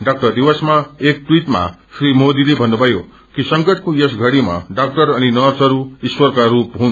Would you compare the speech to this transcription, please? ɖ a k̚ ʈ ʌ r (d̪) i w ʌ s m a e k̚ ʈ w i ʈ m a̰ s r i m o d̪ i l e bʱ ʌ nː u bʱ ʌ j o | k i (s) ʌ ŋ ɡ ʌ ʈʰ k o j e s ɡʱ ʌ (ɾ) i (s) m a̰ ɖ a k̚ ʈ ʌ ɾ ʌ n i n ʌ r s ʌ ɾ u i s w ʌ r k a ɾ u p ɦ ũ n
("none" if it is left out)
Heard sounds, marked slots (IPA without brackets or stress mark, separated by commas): d̪, s, ɽ, none